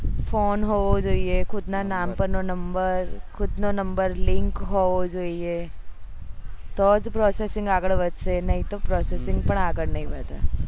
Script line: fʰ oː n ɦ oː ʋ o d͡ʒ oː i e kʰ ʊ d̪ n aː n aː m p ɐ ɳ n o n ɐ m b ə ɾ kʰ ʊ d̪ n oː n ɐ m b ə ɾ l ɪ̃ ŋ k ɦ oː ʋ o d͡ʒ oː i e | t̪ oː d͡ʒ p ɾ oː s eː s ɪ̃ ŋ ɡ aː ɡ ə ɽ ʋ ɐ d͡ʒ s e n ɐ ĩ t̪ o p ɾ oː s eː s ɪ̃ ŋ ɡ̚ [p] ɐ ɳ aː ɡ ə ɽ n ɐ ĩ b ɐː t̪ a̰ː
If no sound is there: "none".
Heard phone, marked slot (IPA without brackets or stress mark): p